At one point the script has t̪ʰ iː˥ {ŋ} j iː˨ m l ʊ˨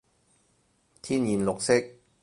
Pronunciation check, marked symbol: incorrect: n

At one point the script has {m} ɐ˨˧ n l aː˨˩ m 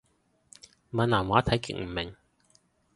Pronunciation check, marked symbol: correct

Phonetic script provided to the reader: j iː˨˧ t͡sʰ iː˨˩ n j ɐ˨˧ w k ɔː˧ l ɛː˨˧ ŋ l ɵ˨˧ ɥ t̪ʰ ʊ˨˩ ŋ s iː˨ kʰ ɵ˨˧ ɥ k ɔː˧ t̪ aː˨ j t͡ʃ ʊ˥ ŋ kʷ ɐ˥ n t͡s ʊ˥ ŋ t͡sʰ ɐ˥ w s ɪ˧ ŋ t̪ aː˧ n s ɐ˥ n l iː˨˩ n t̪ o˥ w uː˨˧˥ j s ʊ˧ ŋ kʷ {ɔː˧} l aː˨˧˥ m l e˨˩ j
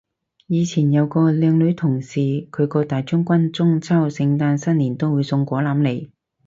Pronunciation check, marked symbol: incorrect: ɔː˨˥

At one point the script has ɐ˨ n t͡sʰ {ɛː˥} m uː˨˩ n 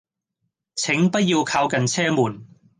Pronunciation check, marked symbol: correct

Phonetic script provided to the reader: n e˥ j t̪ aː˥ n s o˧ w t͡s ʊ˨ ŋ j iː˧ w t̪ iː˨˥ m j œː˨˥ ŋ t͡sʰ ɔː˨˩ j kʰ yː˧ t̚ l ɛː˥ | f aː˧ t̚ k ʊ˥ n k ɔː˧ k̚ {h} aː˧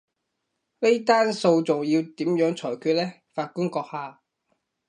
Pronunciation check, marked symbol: correct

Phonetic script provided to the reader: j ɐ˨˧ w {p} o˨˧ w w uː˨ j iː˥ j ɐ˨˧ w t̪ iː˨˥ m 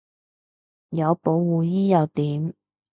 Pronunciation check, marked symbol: correct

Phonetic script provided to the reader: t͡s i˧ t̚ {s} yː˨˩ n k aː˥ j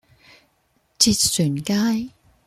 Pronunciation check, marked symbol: correct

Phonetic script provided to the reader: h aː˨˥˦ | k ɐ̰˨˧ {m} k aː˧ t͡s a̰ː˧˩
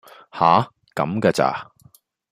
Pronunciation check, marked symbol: correct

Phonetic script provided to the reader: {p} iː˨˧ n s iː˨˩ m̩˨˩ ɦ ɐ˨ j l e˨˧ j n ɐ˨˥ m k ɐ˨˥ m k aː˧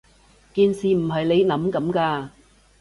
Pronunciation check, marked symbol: incorrect: k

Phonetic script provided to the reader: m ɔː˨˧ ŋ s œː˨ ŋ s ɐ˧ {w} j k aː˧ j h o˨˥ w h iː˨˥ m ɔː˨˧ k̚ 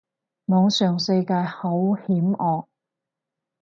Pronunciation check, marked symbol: incorrect: none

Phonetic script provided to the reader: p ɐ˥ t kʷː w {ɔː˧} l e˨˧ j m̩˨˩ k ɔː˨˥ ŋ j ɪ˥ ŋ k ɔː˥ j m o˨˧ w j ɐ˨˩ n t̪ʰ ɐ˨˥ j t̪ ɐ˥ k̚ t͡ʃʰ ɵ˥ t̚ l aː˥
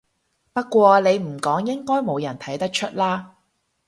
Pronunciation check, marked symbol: correct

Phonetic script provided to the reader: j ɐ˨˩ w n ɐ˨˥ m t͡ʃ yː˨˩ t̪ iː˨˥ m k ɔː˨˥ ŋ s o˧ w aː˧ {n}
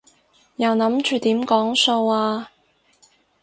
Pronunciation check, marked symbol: incorrect: none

